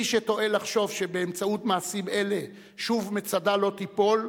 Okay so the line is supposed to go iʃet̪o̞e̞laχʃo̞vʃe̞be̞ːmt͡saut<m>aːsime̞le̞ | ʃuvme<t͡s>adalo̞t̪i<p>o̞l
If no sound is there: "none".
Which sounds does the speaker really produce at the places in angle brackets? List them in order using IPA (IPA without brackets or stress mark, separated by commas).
m, t͡s, p